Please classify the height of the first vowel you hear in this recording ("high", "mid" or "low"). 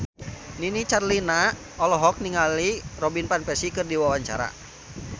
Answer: high